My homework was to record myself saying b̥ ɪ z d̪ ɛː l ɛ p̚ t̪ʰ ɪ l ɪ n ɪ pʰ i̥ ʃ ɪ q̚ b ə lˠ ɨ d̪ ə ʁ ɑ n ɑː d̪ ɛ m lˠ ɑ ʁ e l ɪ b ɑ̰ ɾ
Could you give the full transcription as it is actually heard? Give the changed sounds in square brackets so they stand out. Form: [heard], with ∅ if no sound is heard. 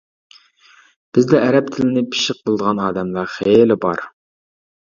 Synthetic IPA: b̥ ɪ z d̪ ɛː [ɾ] ɛ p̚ t̪ʰ ɪ l ɪ n ɪ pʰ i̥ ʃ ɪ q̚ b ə lˠ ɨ d̪ ə ʁ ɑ n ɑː d̪ ɛ m lˠ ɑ [χ] e l ɪ b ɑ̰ ɾ